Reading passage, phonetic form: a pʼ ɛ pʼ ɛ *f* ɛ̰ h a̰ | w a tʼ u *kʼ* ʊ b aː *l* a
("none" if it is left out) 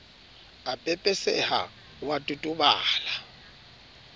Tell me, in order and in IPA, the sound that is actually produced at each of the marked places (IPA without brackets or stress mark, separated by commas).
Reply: s, tʼ, l